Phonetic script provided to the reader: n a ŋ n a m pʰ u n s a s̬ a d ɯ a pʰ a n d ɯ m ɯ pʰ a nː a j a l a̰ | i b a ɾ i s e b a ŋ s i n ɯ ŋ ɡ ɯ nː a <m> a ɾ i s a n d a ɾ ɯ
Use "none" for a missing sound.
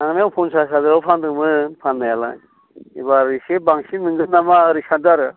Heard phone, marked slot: m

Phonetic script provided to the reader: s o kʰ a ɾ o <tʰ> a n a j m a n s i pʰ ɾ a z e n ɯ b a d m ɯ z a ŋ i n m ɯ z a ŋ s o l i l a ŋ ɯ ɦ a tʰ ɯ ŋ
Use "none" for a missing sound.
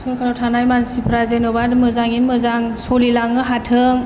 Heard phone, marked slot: tʰ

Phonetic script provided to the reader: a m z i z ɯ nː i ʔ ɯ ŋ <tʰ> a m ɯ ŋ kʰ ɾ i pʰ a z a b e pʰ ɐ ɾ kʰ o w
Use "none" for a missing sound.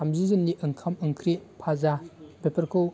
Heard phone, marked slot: kʰ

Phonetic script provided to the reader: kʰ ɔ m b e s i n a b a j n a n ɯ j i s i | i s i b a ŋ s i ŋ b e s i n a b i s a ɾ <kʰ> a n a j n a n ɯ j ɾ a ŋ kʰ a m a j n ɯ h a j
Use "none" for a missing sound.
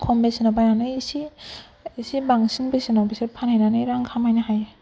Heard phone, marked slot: pʰ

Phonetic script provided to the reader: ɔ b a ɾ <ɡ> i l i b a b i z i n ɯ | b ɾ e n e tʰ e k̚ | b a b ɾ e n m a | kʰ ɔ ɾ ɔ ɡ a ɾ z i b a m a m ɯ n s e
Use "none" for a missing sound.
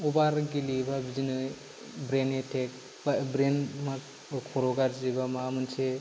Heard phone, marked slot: ɡ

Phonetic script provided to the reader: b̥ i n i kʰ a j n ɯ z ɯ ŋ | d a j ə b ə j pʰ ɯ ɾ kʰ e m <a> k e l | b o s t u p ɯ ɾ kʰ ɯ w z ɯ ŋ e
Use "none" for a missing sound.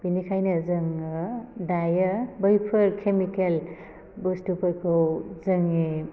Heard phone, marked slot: i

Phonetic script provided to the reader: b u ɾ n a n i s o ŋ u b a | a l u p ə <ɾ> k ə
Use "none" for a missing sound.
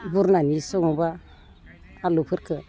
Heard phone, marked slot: ɾ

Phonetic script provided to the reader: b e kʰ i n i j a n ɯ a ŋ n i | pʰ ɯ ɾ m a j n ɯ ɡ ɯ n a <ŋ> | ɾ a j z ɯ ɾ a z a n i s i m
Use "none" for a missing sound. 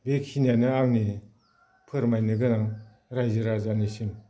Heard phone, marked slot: ŋ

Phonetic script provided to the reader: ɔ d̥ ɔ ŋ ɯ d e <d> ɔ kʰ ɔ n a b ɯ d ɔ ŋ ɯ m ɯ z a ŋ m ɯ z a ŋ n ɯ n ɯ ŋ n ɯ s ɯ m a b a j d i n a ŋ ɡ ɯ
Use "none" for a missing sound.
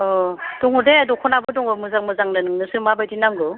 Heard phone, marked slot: d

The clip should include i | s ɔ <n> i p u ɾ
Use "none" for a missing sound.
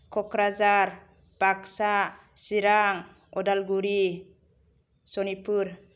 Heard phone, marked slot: n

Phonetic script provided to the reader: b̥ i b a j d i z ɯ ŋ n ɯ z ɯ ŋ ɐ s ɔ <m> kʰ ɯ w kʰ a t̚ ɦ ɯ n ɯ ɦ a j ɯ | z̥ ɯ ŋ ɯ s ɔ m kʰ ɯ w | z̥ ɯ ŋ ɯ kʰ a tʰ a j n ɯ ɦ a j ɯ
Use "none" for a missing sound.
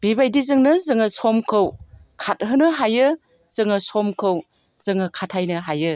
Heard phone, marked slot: m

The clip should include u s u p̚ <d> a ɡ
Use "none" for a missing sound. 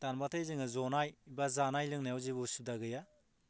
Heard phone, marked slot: d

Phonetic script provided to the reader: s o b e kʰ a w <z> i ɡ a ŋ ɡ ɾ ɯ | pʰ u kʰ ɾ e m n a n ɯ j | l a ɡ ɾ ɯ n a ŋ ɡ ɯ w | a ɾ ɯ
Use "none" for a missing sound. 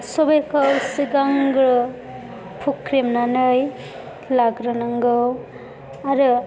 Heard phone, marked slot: s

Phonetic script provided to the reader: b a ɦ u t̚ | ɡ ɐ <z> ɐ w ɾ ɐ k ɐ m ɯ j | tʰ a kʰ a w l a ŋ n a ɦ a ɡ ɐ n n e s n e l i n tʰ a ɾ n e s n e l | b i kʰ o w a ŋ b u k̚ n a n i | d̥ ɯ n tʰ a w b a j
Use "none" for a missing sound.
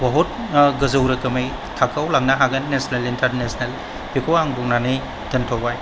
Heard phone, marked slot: z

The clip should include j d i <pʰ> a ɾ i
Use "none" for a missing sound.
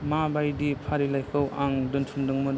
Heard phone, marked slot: pʰ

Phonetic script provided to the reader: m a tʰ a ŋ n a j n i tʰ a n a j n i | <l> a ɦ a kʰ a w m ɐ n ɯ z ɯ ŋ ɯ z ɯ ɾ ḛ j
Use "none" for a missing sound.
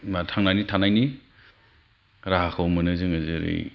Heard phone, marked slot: ɾ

